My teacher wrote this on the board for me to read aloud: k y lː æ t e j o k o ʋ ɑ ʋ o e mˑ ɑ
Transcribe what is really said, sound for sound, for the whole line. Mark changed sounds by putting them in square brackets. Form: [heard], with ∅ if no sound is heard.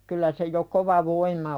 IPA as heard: k y lː æ [s] e j o k o ʋ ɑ ʋ o [i] mˑ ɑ